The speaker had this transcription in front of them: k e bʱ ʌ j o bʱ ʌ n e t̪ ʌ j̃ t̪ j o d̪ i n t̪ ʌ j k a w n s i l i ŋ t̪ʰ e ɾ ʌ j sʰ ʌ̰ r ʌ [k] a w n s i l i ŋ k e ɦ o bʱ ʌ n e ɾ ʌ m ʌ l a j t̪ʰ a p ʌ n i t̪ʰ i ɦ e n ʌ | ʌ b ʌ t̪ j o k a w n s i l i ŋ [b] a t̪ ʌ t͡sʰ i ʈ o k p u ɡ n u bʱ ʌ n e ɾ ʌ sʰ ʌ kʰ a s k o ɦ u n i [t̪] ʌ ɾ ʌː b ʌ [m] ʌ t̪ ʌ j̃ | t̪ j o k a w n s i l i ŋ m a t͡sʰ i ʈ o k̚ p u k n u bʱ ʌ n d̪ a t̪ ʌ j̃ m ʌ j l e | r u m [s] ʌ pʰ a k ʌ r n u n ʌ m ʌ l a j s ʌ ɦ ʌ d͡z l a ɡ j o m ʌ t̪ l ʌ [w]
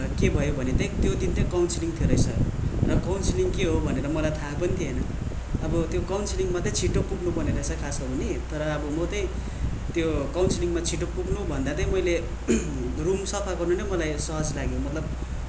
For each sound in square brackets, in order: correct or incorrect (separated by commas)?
correct, incorrect, correct, correct, correct, incorrect